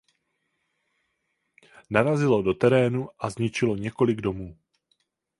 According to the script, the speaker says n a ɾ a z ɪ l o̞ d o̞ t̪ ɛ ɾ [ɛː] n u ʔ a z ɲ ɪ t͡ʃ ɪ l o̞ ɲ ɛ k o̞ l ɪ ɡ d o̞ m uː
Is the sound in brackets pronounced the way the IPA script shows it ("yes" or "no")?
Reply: yes